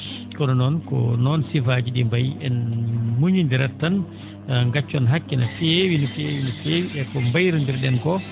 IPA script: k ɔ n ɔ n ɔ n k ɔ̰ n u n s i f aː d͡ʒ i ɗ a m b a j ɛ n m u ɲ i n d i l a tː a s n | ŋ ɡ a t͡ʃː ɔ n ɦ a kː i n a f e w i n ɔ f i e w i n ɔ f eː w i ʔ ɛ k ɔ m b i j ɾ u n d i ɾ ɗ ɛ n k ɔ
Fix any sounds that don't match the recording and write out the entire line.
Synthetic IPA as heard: k ɔ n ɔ n ɔ n k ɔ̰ n ɔ n s i f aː d͡ʒ i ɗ i m b a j ɛ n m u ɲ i n d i ɾ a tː a n | ŋ ɡ a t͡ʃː ɔ n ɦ a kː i n a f e w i n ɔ f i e w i n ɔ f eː w i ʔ ɛ k ɔ m b a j ɾ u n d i ɾ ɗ ɛ n k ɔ